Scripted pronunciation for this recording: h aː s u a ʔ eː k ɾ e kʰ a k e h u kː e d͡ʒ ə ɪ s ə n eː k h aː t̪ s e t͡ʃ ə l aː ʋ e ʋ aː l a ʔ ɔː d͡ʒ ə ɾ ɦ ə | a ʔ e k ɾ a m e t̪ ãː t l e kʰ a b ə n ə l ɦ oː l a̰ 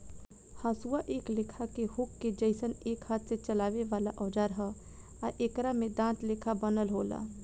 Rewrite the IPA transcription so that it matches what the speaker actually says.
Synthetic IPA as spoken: h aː s u a ʔ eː k l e kʰ a k e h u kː e d͡ʒ ə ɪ s ə n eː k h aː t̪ s e t͡ʃ ə l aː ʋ e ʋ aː l a ʔ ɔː d͡ʒ a ɾ ɦ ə | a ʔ e k ɾ a m e d̪ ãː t l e kʰ a b ə n ə l ɦ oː l a̰